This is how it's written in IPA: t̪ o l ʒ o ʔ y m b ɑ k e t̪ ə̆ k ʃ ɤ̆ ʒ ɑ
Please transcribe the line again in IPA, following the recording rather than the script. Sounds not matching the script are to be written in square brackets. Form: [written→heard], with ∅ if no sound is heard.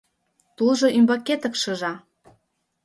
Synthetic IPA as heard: t̪ [o→u] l ʒ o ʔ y m b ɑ k e t̪ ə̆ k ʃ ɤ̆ ʒ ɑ